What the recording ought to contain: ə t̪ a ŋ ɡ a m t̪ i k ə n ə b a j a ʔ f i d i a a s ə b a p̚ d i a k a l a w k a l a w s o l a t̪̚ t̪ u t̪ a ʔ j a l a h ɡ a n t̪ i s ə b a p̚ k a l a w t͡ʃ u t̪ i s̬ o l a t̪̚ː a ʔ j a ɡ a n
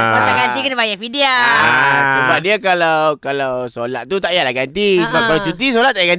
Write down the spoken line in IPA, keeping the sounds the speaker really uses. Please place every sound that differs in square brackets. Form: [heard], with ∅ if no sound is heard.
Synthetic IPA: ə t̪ a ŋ ɡ a [n] t̪ i k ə n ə b a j a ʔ f i d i a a s ə b a p̚ d i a k a l a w k a l a w s o l a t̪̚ t̪ u t̪ a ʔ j a l a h ɡ a n t̪ i s ə b a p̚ k a l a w t͡ʃ u t̪ i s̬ o l a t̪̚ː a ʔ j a ɡ a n